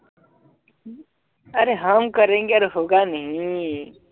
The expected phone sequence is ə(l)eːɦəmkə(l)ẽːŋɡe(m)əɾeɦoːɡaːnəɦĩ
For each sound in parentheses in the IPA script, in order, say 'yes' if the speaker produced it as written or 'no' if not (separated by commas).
no, no, no